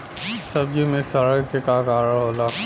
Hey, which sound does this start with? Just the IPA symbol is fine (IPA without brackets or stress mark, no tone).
s